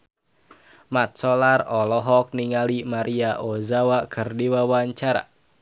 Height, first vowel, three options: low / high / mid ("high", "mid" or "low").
low